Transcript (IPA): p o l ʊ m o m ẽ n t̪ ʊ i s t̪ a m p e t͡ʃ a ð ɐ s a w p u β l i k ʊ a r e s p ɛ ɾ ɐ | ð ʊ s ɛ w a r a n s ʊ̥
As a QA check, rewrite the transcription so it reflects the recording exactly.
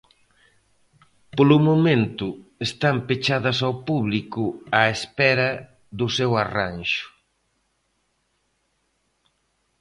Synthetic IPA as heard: p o l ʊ m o m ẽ n t̪ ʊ e s t̪ a m p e t͡ʃ a ð ɐ s a w p u β l i k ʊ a e s p ɛ ɾ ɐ | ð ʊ s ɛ w a r a n ʃ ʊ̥